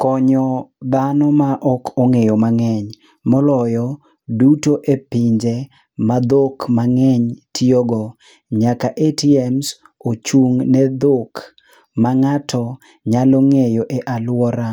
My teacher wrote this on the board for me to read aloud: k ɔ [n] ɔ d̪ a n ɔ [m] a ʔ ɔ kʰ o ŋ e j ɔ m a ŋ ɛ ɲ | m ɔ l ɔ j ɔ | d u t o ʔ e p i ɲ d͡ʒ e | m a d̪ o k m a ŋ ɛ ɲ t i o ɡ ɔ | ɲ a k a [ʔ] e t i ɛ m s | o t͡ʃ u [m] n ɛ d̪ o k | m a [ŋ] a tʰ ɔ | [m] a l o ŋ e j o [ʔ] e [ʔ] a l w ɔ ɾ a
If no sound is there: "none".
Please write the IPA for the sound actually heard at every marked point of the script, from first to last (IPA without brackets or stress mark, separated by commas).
ɲ, m, ʔ, ŋ, ŋ, ɲ, ʔ, ʔ